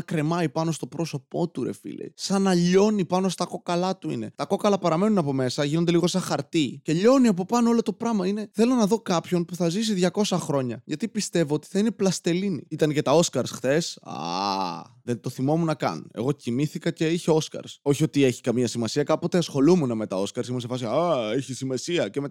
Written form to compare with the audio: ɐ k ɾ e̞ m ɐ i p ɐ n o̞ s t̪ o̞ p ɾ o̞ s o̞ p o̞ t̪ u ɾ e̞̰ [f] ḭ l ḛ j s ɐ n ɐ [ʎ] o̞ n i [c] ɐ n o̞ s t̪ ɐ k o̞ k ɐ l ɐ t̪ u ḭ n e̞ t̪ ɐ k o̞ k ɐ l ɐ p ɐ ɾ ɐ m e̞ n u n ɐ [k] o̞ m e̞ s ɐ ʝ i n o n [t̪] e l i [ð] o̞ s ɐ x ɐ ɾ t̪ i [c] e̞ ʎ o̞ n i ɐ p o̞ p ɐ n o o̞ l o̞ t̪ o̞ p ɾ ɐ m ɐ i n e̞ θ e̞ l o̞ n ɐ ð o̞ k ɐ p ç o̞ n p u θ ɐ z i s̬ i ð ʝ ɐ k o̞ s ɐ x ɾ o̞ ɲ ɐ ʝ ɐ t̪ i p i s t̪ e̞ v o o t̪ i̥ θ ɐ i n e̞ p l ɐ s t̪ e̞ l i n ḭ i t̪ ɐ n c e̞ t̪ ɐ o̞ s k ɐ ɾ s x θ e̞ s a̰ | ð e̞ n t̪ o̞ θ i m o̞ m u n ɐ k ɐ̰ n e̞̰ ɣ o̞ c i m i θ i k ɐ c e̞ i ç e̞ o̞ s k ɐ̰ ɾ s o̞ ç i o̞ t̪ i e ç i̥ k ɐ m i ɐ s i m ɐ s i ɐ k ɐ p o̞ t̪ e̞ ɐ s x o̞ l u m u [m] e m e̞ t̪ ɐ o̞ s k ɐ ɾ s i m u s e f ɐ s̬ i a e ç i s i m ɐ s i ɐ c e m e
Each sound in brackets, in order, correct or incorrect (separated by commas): correct, correct, incorrect, incorrect, incorrect, incorrect, correct, incorrect